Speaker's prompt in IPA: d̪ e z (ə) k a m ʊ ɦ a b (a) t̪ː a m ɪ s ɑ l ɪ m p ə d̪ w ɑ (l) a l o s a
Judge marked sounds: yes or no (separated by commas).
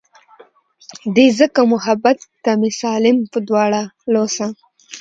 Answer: yes, yes, no